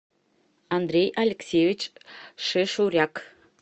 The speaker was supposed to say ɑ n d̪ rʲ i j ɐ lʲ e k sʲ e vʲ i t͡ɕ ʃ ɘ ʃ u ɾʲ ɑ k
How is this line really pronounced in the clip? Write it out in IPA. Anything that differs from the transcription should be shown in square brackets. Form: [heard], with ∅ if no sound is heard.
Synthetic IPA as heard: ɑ n d̪ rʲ [e] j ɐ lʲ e k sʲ e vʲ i t͡ɕ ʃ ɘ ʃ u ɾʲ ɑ k